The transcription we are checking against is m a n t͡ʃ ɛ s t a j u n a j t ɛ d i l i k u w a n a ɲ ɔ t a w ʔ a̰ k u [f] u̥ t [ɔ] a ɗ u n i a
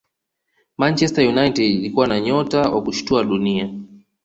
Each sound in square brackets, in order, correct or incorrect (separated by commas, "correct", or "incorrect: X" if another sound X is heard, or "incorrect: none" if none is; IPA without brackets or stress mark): incorrect: ʃ, incorrect: u